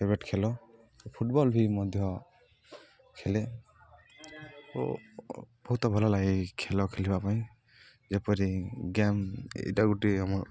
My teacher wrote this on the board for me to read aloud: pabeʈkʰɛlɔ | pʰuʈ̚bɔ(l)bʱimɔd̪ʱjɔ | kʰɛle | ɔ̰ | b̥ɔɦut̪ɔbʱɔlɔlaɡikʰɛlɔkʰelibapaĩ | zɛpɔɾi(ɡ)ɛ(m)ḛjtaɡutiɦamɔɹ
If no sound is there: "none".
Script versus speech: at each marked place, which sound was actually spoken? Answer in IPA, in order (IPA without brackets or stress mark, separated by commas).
l, ɡ, m